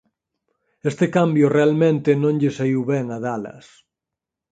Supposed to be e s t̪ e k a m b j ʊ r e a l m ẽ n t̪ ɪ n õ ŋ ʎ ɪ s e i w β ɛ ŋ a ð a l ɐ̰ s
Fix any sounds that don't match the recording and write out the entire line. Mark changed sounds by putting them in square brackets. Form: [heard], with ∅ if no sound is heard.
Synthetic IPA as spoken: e s t̪ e k a m b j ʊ r e a l m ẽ n t̪ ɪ n õ ŋ ʎ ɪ s [a] i w β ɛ ŋ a ð a l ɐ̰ s